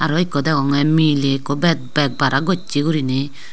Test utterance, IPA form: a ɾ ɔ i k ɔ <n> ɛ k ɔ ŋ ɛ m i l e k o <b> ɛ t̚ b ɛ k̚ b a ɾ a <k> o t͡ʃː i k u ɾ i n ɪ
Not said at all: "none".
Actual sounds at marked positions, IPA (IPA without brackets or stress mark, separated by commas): d, b, ɡ